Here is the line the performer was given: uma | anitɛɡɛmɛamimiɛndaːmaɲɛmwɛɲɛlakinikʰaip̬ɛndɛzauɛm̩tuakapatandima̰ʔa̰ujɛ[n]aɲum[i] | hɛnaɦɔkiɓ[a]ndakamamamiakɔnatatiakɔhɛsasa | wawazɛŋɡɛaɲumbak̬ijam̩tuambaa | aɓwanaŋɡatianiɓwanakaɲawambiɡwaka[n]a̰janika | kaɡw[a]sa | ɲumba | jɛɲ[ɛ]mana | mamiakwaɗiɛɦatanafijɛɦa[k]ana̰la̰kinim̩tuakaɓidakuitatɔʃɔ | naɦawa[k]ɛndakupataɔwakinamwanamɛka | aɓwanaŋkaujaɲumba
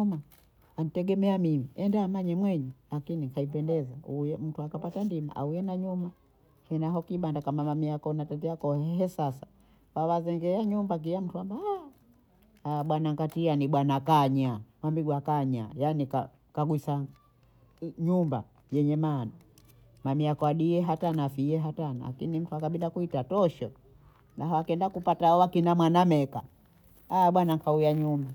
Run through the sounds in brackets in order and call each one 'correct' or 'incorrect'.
correct, incorrect: a, correct, incorrect: ɲ, incorrect: i, correct, incorrect: t, correct

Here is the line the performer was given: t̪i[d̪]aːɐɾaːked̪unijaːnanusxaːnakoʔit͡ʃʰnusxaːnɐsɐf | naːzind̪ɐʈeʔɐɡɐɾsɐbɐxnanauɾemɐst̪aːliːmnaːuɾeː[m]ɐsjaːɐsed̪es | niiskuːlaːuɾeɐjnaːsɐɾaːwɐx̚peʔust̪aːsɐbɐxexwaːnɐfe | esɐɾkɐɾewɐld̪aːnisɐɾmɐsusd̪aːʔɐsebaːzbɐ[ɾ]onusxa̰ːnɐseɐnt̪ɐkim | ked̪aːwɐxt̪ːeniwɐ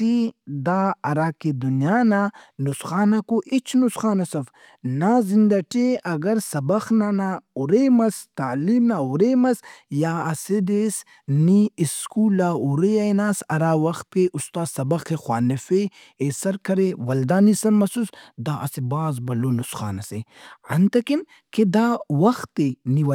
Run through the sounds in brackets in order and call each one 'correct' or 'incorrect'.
correct, correct, incorrect: l

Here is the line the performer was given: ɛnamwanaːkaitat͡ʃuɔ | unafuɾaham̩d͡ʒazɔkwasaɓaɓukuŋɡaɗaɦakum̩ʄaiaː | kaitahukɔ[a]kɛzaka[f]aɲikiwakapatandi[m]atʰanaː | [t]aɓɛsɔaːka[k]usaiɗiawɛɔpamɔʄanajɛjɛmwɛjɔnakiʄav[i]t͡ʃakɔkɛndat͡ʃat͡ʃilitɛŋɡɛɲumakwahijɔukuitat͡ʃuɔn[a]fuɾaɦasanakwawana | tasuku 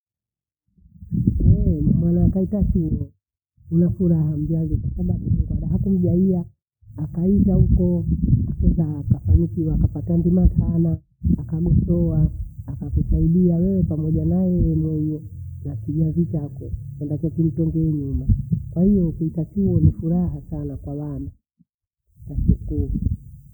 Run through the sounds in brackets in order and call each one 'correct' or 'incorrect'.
correct, correct, correct, incorrect: k, correct, correct, incorrect: i

